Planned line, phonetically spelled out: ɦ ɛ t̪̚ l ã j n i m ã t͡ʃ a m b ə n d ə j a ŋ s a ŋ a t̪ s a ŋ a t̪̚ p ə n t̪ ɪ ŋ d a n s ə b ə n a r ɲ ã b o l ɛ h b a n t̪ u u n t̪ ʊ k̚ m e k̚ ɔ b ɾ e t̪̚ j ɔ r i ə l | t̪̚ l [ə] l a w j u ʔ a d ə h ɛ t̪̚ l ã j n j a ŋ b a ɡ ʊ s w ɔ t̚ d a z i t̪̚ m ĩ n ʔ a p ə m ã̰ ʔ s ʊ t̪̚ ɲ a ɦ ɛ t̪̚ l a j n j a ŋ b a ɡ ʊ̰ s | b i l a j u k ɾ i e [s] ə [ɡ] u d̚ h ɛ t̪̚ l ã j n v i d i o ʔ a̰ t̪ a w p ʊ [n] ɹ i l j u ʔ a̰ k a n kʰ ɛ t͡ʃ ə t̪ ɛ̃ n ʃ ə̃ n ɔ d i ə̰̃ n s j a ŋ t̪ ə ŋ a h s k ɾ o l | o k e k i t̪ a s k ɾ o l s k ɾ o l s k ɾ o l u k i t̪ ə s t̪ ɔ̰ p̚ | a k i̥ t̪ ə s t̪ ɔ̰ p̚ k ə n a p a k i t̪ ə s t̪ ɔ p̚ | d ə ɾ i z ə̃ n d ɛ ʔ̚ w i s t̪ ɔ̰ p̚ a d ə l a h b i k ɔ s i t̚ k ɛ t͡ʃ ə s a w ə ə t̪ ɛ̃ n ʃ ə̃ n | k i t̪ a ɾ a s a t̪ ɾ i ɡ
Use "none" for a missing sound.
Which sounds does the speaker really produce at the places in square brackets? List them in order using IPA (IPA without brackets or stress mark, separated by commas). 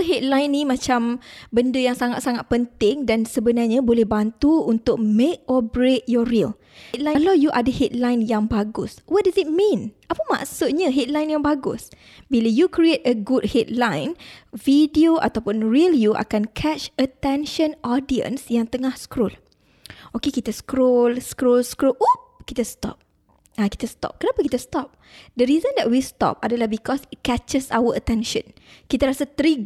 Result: a, t, ɡ, n